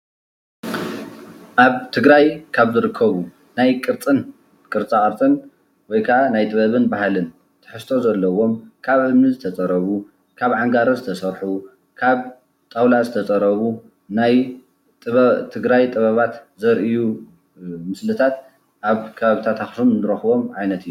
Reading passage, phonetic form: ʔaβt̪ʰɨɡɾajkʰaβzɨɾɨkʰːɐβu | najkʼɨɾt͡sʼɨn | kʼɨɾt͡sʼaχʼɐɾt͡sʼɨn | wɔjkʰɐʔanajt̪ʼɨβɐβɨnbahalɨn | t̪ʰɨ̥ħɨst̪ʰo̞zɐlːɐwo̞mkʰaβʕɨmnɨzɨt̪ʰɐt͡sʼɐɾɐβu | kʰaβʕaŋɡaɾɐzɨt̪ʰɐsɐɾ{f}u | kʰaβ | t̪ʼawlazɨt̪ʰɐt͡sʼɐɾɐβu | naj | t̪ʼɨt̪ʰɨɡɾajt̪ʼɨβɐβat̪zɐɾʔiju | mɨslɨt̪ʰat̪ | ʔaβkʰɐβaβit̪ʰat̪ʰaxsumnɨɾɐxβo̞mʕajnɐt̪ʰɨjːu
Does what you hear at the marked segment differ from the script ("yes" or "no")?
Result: yes